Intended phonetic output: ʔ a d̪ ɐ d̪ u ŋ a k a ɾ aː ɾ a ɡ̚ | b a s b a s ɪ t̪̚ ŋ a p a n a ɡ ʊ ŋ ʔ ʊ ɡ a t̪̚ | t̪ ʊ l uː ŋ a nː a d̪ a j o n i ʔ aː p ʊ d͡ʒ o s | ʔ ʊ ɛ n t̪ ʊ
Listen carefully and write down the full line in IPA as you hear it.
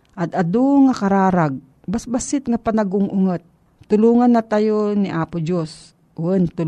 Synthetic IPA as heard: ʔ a d̪ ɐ d̪ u ŋ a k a ɾ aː ɾ a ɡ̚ | b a s b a s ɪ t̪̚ ŋ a p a n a ɡ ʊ ŋ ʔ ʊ ŋ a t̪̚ | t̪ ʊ l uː ŋ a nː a t̪ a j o n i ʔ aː p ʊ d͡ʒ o s | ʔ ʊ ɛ n t̪ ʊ